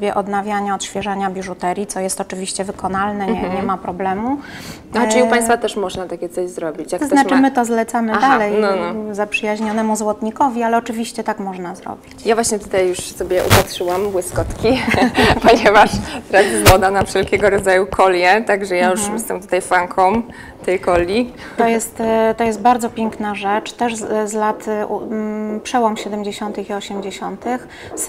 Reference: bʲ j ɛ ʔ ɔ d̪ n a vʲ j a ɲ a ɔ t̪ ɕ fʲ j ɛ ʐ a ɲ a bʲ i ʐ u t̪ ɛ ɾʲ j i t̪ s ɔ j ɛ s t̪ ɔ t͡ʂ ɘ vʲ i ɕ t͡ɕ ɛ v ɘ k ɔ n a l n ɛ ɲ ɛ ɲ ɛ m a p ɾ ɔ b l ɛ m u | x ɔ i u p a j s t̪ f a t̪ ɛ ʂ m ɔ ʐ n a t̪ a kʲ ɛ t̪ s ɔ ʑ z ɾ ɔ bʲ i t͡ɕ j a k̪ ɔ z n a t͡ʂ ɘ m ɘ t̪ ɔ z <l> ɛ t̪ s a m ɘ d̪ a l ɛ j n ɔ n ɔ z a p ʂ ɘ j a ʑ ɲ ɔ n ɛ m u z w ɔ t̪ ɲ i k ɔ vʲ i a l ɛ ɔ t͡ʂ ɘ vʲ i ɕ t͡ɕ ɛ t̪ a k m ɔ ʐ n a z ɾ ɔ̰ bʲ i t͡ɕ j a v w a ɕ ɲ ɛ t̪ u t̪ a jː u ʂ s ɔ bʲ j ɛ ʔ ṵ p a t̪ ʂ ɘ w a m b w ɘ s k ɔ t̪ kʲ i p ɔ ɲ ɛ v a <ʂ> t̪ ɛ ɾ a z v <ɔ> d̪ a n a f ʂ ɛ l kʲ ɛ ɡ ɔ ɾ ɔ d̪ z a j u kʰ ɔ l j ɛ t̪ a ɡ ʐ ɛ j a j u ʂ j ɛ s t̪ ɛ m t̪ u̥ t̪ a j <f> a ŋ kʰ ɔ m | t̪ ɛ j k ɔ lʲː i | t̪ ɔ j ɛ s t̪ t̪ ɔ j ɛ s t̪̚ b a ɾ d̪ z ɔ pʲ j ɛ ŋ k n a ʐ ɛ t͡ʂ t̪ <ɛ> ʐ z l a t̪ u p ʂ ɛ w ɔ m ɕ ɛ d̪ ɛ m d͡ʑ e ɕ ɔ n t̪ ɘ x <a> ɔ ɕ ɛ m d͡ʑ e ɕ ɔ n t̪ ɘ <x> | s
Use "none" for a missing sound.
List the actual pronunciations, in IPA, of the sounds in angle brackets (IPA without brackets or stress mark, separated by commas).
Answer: l, ʂ, ɔ, f, ɛ, i, x